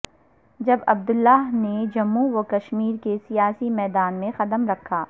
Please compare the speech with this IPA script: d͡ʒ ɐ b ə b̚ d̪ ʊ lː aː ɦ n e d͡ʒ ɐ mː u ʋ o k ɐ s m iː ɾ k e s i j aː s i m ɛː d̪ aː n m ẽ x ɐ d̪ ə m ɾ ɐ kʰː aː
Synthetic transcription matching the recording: d͡ʒ ɐ b ɐ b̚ d̪ ʊ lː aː ɦ n e d͡ʒ ɐ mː u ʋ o k ɐ ʃ m iː ɾ k e s i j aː s i m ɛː d̪ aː n m ẽ x ɐ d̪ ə m ɾ ɐ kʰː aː